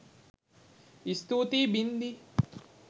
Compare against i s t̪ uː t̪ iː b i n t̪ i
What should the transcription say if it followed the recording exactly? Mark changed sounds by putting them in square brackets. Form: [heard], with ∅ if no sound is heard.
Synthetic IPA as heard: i s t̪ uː t̪ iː b i n [d̪] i